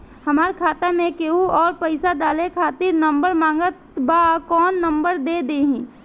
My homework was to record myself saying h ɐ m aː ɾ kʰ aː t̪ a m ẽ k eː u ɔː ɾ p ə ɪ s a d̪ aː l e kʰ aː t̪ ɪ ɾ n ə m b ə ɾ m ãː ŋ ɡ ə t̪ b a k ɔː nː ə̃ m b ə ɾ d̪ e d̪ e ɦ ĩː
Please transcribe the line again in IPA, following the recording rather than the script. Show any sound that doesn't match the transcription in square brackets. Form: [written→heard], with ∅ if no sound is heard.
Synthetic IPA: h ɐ m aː ɾ kʰ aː t̪ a m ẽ k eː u ɔː ɾ p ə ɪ s a d̪ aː l e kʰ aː t̪ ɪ ɾ n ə m b ə ɾ m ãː ŋ ɡ ə t̪ b a k ɔː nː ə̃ m b ə ɾ d̪ e d̪ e ɦ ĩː

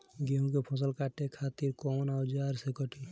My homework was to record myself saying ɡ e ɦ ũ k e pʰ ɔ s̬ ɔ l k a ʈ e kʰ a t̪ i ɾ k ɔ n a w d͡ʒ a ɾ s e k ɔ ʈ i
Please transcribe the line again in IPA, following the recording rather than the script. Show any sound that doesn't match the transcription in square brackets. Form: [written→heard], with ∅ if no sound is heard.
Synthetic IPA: ɡ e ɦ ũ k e pʰ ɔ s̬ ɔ l k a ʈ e kʰ a t̪ i ɾ k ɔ n a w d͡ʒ a ɾ s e k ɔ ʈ i

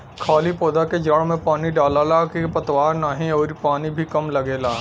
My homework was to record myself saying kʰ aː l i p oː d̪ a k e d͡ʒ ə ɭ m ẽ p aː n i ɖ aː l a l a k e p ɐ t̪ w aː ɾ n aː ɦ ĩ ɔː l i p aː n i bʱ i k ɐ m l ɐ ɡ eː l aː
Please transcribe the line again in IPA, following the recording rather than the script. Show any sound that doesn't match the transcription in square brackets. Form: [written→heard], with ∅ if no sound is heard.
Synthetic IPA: kʰ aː l i p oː d̪ a k e d͡ʒ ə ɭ m ẽ p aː n i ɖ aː l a l a k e p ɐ t̪ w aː ɾ n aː ɦ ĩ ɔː [l→ɾ] i p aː n i bʱ i k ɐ m l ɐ ɡ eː l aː

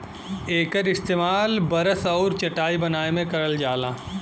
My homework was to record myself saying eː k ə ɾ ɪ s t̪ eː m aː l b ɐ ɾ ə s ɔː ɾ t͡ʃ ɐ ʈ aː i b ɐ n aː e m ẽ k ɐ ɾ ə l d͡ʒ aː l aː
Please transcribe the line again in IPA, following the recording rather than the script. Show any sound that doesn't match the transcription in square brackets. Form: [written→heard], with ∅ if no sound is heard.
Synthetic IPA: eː k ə ɾ ɪ s t̪ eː m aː l b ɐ ɾ ə s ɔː ɾ t͡ʃ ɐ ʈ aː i b ɐ n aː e m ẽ k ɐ ɾ ə l d͡ʒ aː l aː

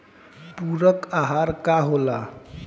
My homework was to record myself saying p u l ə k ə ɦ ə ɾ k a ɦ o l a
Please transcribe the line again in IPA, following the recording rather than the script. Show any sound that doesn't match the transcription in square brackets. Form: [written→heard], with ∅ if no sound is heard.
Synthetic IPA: p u [l→ɾ] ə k [ə→a] ɦ [ə→a] ɾ k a ɦ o l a

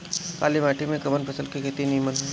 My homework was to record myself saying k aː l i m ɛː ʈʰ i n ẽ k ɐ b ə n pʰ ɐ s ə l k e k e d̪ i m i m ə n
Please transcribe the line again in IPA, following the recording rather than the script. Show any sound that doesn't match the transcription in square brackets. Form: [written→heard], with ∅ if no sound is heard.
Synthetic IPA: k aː l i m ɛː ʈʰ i [n→m] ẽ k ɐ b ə n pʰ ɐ s ə l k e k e [d̪→t̪] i [m→n] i m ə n

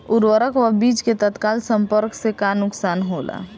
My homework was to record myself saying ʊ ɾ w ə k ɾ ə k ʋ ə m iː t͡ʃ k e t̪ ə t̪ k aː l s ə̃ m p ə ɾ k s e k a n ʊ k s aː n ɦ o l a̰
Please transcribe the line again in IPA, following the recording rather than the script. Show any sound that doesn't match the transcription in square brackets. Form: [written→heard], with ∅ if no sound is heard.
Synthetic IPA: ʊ ɾ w ə [k→∅] ɾ ə k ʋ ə [m→b] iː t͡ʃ k e t̪ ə t̪ k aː l s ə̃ m p ə ɾ k s e k a n ʊ k s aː n ɦ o l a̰

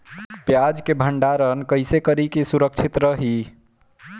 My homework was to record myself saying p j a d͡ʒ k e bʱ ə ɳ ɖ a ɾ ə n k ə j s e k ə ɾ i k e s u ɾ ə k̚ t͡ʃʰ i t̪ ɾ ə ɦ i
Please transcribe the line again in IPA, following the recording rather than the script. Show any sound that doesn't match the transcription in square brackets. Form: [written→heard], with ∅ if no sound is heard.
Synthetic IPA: p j a d͡ʒ k e bʱ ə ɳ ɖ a ɾ ə n k ə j s e k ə ɾ i k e s u ɾ ə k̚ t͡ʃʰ i t̪ ɾ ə ɦ i

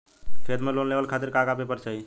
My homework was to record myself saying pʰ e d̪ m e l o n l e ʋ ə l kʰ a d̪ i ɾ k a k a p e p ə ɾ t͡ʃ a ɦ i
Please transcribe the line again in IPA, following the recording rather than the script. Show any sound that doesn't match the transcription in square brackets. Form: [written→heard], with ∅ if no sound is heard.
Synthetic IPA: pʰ e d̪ m e l o n l e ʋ ə l kʰ a [d̪→t̪] i ɾ k a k a p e p ə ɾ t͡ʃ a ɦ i

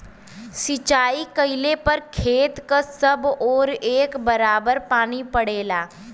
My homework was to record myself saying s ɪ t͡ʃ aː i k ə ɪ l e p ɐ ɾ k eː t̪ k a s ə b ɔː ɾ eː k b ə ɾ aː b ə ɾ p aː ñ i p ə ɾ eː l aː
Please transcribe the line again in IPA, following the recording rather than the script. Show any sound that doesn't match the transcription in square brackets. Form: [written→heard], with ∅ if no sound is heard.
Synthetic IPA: s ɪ t͡ʃ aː i k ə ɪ l e p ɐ ɾ [k→kʰ] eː t̪ k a s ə b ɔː ɾ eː k b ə ɾ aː b ə ɾ p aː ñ i p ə [ɾ→ɽ] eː l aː

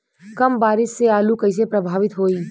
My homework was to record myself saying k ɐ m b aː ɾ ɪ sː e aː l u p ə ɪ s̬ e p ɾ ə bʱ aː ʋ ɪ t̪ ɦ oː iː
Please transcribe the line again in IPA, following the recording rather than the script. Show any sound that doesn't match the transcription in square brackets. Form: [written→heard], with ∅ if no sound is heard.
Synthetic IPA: k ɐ m b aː ɾ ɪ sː e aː l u [p→k] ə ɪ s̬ e p ɾ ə bʱ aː ʋ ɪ t̪ ɦ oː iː

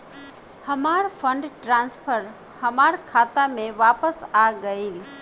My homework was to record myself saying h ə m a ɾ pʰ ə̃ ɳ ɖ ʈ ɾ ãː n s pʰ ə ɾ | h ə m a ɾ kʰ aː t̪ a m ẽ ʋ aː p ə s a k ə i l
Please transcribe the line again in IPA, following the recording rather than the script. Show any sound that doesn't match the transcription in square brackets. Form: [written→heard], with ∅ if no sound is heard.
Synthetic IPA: h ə m a ɾ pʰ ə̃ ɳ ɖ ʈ ɾ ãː n s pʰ ə ɾ | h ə m a ɾ kʰ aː t̪ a m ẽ ʋ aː p ə s a [k→ɡ] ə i l

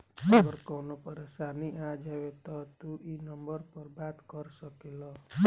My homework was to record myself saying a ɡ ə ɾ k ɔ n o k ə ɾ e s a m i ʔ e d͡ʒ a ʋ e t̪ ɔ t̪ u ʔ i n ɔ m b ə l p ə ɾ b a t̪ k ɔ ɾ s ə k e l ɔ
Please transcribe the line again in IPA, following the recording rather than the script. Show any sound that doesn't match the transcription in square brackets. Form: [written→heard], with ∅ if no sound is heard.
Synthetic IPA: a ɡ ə ɾ k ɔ n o [k→p] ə ɾ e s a [m→n] i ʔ [e→a] d͡ʒ a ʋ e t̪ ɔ t̪ u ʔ i n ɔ m b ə [l→ɾ] p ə ɾ b a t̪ k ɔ ɾ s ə k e l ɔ

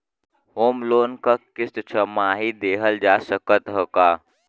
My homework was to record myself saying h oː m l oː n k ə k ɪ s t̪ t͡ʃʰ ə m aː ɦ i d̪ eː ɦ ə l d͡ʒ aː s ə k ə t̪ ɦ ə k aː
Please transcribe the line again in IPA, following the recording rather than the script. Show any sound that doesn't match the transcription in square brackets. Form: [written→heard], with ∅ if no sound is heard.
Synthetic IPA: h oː m l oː n k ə k ɪ s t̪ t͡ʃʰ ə m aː ɦ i d̪ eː ɦ ə l d͡ʒ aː s ə k ə t̪ ɦ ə k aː

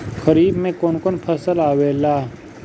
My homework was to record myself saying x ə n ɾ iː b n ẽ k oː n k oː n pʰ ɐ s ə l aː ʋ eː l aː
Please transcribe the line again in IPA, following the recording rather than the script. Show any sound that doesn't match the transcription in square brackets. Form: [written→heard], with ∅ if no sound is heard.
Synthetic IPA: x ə [n→∅] ɾ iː b [n→m] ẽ k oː n k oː n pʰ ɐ s ə l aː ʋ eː l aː

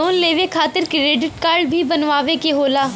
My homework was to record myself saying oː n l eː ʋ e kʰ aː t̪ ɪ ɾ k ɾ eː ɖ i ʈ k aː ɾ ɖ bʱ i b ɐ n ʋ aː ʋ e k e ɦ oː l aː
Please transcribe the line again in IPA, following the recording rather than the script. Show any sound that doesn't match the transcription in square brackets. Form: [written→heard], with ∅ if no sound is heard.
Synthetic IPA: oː n l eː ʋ e kʰ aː t̪ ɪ ɾ k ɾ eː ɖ [i→ɪ] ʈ k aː ɾ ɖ bʱ i b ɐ n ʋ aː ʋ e k e ɦ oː l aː

